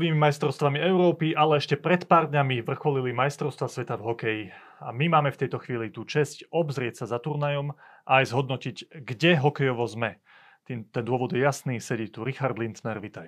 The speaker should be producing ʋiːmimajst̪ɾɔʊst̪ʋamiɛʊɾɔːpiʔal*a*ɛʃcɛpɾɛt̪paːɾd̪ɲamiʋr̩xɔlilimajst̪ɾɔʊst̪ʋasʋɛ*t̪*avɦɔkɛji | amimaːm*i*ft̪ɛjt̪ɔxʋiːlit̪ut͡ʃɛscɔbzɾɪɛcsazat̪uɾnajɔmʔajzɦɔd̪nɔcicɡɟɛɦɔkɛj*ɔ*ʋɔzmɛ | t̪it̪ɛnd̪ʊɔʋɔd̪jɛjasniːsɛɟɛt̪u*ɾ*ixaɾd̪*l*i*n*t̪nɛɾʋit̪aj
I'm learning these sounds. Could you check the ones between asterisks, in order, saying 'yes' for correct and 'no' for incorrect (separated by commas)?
no, yes, no, yes, yes, yes, yes